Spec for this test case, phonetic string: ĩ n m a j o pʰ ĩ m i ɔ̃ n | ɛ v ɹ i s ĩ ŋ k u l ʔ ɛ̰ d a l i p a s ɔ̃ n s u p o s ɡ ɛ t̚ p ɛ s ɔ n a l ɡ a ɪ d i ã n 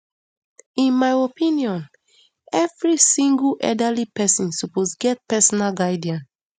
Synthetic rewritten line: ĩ n m a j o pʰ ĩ n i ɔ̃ n | ɛ v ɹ i s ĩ ŋ ɡ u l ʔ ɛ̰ d a l i p ɛ s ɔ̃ n s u p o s ɡ ɛ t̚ p ɛ s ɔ n a l ɡ a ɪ d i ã n